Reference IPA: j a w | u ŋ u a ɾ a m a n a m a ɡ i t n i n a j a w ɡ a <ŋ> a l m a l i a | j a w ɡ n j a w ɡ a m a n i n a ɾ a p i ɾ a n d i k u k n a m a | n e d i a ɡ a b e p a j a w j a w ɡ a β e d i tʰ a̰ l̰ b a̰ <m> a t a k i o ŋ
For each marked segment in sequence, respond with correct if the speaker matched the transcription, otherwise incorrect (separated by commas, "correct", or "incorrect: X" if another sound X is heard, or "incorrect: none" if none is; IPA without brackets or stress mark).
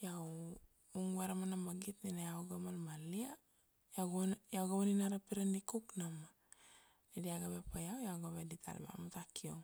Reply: incorrect: m, correct